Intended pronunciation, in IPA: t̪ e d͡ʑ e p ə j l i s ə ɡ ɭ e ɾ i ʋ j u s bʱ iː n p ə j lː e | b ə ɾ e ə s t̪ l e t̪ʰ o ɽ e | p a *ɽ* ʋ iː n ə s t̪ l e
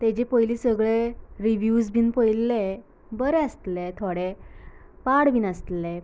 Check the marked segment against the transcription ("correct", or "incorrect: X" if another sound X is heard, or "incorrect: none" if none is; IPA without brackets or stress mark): correct